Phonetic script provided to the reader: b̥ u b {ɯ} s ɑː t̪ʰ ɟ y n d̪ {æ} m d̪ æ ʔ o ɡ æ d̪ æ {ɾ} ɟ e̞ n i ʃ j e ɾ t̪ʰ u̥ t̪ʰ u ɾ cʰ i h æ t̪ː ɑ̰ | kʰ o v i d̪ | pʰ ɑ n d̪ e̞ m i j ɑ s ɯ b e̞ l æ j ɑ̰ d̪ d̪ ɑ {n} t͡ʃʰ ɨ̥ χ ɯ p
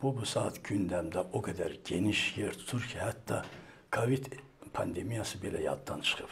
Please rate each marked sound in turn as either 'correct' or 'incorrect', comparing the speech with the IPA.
incorrect, correct, correct, correct

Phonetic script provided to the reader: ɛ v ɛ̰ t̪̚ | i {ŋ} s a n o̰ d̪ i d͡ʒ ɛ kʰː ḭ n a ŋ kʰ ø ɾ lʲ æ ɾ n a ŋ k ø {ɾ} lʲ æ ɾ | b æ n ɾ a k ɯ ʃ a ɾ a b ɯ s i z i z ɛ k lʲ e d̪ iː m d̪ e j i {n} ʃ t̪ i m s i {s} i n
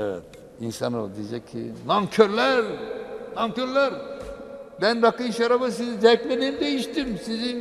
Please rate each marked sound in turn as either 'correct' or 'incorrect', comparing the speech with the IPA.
incorrect, correct, incorrect, incorrect

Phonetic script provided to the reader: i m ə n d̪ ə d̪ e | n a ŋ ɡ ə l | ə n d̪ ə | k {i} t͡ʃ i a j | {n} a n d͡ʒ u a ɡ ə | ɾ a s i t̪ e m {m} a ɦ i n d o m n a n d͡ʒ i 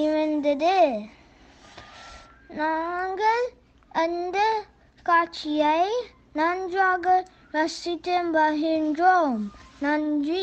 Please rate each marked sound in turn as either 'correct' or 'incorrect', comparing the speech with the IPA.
incorrect, correct, incorrect

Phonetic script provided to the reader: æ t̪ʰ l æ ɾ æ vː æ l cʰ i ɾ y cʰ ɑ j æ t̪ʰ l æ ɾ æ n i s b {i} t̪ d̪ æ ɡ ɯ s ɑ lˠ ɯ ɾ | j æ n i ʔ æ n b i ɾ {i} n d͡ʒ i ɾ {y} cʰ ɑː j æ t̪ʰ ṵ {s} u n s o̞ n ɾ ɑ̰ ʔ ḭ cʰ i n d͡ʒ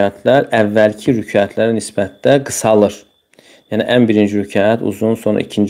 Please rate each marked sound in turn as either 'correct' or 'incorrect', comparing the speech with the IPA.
incorrect, correct, correct, incorrect

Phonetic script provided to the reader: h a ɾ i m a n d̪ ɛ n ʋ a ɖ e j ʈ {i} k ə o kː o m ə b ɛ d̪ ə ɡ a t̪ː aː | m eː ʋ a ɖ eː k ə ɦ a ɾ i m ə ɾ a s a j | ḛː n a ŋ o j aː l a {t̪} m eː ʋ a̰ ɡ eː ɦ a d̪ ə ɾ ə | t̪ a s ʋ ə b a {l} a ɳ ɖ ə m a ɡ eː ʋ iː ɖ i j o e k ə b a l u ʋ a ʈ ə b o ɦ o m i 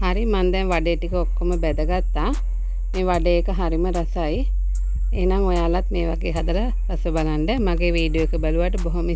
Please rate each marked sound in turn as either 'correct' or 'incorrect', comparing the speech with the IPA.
correct, correct, correct

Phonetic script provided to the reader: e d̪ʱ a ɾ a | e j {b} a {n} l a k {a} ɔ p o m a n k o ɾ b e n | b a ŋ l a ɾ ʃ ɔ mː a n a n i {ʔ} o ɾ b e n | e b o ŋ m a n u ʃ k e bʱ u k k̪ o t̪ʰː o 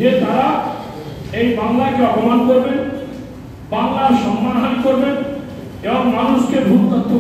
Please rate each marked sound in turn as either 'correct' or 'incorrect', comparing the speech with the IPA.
correct, incorrect, incorrect, incorrect

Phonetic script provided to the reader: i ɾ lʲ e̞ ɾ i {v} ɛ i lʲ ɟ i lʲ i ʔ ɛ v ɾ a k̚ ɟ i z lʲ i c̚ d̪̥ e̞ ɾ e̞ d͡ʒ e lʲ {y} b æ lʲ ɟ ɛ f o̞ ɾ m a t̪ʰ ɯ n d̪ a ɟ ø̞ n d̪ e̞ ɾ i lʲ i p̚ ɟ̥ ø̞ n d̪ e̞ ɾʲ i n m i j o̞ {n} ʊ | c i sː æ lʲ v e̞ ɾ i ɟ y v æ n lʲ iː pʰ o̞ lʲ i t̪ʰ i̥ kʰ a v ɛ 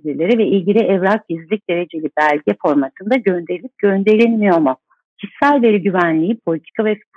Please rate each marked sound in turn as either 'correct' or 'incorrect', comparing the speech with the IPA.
correct, incorrect, incorrect

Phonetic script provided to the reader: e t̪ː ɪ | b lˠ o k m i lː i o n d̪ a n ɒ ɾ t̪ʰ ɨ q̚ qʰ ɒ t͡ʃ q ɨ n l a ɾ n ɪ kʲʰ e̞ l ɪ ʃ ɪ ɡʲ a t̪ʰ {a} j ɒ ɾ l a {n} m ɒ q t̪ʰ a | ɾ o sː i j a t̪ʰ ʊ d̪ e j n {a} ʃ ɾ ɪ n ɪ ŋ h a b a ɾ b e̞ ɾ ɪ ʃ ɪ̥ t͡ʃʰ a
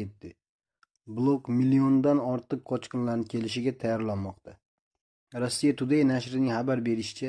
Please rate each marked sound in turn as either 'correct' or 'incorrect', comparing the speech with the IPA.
correct, correct, correct

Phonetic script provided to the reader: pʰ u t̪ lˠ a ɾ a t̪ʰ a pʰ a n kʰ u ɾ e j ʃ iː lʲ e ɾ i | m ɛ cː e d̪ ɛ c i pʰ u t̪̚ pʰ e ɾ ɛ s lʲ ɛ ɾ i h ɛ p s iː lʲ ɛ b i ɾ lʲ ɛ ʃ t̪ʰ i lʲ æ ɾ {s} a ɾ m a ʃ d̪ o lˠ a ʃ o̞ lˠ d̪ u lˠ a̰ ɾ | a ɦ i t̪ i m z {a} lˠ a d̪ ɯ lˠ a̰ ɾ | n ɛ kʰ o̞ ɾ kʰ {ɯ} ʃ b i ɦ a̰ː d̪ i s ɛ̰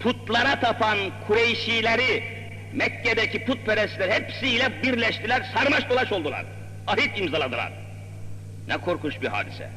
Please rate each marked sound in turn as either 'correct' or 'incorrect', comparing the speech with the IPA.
correct, correct, incorrect

